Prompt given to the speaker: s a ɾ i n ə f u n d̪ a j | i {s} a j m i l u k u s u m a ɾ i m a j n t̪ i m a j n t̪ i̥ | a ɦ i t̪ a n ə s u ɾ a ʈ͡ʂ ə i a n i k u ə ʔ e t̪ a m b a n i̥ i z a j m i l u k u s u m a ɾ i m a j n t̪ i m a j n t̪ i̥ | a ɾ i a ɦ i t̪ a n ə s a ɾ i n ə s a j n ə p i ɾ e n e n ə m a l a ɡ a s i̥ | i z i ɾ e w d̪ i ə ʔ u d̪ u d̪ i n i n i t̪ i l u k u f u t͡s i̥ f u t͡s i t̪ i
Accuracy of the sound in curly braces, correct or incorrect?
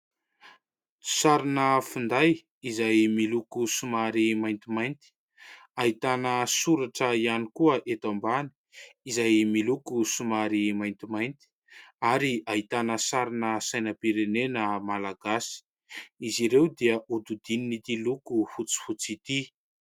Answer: incorrect